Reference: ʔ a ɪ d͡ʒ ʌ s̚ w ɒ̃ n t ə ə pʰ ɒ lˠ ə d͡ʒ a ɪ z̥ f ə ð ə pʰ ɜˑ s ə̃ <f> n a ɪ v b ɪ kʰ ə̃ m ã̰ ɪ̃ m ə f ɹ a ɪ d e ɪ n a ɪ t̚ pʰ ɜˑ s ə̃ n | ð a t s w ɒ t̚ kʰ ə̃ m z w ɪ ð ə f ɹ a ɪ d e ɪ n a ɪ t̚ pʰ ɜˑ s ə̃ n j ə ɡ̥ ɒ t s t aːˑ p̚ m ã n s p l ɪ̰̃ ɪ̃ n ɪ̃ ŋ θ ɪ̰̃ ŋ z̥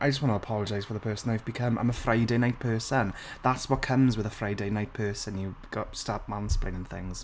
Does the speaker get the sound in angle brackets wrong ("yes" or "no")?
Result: yes